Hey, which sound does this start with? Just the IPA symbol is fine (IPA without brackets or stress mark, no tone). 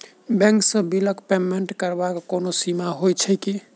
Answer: b